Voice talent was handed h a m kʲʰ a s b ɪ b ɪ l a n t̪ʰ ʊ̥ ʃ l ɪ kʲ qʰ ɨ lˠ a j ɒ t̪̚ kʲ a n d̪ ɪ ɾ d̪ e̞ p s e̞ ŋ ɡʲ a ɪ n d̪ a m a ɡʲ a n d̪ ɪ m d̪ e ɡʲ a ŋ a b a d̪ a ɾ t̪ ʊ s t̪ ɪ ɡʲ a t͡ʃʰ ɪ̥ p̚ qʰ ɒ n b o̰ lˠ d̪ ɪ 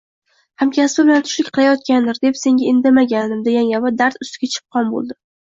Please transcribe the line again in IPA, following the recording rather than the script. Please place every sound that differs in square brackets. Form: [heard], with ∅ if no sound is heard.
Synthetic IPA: h a m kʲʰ a s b ɪ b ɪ l a n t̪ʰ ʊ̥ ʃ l ɪ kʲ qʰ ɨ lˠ a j ɒ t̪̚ kʲ a n d̪ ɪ ɾ d̪ e̞ p s e̞ ŋ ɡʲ a ɪ n d̪ a m a ɡʲ a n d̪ ɪ m d̪ e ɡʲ a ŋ a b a d̪ a ɾ t̪ ʊ s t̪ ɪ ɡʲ a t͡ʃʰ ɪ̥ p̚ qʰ ɒ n b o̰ lˠ d̪ ɪ